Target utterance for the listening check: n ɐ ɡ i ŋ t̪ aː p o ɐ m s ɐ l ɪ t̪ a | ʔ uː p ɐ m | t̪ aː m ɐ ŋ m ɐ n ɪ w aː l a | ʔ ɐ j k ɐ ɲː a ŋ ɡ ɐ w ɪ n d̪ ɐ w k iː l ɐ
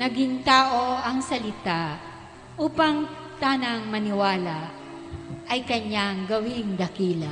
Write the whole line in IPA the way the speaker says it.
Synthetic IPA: n ɐ ɡ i ŋ t̪ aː ʔ o ɐ ŋ s ɐ l ɪ t̪ a | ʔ uː p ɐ ŋ | t̪ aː n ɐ ŋ m ɐ n ɪ w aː l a | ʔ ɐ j k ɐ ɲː a ŋ ɡ ɐ w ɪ ŋ d̪ ɐ k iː l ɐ